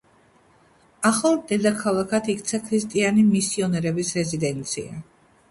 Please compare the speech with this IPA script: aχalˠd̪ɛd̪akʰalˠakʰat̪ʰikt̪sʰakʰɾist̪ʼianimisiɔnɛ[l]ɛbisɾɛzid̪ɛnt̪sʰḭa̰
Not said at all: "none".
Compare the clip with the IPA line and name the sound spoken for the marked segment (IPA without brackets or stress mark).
ɾ